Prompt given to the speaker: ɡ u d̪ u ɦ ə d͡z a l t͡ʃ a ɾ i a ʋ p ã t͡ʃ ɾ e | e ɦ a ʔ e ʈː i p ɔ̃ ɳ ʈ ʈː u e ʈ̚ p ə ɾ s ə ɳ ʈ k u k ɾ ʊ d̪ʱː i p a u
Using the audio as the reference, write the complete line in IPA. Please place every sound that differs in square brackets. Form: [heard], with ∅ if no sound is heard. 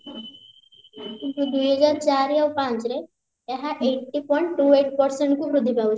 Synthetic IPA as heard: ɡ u d̪ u ɦ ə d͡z a [ɾ] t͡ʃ a ɾ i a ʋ p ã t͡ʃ ɾ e | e ɦ a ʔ e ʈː i p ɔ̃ ɳ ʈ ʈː u e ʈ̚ p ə ɾ s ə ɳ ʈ k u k ɾ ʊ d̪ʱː i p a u